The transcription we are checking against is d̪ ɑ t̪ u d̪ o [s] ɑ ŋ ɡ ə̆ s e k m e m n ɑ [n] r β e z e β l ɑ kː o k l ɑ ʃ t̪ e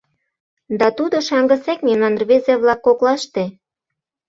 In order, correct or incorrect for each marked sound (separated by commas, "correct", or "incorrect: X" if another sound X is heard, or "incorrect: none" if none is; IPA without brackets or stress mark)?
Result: incorrect: ʃ, correct